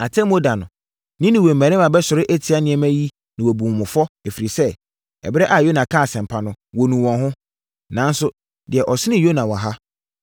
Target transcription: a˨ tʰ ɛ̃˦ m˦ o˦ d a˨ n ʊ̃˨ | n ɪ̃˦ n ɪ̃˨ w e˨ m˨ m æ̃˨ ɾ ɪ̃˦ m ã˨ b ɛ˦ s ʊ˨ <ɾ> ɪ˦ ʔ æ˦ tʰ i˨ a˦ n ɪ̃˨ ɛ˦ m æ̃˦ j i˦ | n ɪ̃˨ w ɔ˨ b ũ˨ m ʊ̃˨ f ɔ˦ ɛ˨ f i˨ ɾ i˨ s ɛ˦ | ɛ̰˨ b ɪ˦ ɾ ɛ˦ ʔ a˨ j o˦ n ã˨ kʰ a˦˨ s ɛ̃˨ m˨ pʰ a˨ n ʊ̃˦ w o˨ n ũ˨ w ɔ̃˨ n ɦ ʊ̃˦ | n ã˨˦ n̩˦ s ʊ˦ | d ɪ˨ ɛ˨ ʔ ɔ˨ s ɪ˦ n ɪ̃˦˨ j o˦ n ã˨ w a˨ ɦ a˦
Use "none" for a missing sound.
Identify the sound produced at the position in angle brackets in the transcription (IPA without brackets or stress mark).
ɾ